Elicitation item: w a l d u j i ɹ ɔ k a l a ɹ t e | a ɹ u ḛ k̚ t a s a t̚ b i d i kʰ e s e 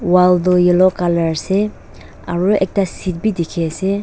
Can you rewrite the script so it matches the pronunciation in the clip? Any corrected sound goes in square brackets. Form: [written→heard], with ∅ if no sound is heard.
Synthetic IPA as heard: w a l d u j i [ɹ→l] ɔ k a l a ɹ [t→s] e | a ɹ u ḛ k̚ t a s [a→i] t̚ b i d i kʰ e s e